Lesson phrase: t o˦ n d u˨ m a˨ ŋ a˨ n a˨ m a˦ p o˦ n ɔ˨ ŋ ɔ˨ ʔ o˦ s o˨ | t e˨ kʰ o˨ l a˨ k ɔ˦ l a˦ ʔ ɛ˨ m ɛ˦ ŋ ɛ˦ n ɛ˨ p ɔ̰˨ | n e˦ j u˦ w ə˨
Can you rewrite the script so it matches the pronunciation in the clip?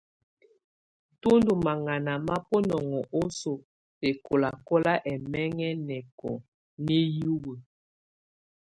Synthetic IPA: t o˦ n d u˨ m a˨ ŋ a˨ n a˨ m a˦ p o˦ n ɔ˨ ŋ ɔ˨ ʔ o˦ s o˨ | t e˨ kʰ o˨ l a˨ k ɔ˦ l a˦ ʔ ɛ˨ m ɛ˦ ŋ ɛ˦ n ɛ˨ k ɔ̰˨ | n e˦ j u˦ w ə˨